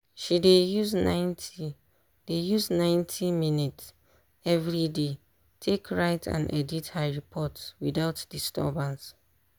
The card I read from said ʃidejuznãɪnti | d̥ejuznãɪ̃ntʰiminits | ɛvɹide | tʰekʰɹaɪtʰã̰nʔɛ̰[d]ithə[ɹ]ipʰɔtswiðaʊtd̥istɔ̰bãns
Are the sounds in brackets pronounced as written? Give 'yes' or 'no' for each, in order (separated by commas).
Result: yes, yes